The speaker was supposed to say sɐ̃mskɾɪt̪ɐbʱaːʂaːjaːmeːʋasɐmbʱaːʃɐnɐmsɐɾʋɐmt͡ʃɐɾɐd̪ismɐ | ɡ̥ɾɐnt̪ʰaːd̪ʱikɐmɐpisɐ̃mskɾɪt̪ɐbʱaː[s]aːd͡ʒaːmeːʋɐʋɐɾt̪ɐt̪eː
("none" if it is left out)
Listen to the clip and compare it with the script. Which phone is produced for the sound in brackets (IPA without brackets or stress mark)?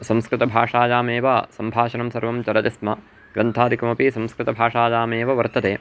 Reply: ʂ